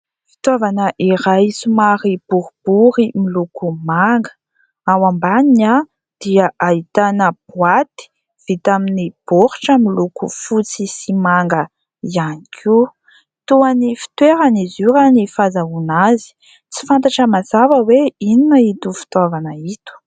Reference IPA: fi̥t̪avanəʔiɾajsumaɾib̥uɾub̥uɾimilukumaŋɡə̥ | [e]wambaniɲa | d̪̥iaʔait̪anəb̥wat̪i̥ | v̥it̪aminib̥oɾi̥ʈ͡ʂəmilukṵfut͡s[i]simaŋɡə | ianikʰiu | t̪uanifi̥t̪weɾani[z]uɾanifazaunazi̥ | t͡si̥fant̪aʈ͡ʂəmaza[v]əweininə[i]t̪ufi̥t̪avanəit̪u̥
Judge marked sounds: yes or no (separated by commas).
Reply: no, yes, yes, yes, yes